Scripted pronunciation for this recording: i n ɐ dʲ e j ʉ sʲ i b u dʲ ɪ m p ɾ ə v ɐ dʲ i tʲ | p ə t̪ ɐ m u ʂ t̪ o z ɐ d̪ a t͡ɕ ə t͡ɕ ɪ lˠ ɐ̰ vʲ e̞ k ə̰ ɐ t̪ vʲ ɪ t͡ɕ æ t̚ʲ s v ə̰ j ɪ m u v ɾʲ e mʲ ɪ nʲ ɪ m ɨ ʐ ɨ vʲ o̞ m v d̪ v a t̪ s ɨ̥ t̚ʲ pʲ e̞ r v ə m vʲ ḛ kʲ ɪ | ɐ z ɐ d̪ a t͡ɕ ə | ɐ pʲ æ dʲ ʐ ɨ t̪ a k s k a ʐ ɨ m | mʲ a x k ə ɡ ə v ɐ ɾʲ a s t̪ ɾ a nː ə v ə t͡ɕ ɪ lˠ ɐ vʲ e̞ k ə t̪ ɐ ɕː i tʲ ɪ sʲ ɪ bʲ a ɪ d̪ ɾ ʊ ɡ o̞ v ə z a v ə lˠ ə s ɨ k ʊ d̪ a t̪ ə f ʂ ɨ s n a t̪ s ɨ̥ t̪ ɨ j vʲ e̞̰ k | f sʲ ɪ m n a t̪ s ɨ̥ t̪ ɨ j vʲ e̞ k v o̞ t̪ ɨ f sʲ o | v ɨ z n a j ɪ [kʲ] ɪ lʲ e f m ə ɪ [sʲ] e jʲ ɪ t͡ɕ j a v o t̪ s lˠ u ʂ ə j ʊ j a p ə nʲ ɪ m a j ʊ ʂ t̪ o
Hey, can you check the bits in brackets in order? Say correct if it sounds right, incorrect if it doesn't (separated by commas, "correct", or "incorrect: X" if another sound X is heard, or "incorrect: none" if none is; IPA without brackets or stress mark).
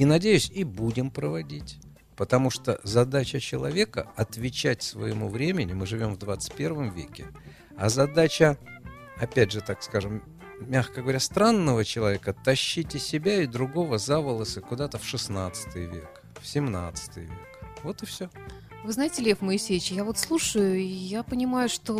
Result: incorrect: tʲ, correct